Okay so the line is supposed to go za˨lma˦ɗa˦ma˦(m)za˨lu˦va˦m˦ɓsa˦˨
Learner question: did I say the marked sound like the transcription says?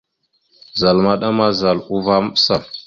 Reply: no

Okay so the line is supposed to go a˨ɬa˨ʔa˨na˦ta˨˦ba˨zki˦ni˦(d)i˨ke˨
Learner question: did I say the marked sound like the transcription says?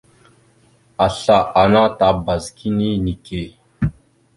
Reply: no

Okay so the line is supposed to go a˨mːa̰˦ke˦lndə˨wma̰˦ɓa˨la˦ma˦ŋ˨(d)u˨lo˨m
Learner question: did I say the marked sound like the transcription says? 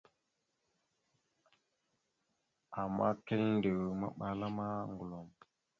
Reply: no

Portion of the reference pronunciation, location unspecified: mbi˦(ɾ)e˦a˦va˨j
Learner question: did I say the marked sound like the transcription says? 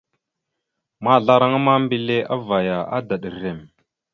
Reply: no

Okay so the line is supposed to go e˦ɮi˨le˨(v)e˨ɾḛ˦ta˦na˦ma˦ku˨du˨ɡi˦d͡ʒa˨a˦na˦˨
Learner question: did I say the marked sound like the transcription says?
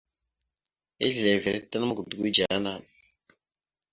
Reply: yes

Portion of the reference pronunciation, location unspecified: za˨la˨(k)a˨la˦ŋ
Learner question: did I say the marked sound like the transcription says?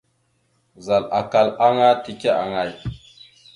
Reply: yes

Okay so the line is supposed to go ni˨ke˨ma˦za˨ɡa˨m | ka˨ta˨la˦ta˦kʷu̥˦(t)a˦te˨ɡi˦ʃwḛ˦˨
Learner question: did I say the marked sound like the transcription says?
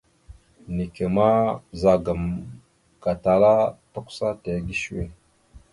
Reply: no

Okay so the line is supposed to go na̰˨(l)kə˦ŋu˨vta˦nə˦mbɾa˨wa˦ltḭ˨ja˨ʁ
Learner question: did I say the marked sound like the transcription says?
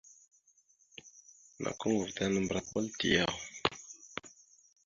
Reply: no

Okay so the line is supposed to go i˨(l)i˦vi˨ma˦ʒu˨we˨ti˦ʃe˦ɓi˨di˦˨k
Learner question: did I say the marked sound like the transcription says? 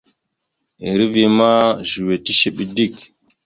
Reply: no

